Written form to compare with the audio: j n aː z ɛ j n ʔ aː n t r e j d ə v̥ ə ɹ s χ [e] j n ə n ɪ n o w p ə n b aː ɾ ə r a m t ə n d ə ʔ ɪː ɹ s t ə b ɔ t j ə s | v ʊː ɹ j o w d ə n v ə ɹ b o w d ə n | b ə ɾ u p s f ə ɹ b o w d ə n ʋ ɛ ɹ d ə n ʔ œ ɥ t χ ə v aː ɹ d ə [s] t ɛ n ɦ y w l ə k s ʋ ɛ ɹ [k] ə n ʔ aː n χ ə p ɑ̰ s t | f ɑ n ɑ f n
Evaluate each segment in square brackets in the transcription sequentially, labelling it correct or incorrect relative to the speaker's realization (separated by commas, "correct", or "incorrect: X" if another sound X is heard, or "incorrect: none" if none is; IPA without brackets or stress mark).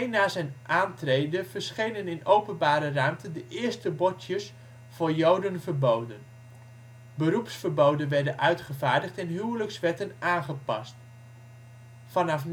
correct, incorrect: χ, incorrect: t